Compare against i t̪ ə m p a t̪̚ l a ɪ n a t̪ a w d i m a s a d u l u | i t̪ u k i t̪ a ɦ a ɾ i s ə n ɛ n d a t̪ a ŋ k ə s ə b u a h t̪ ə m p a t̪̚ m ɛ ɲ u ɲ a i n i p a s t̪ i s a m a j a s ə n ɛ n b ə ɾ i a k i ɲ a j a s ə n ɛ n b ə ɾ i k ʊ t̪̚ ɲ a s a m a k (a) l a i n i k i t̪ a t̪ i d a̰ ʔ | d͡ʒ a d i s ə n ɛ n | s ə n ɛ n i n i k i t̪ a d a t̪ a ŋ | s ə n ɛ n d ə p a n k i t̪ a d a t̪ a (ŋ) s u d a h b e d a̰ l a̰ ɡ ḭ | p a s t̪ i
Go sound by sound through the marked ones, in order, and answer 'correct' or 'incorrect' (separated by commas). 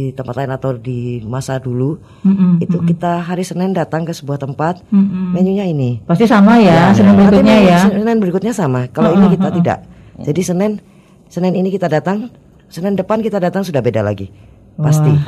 correct, correct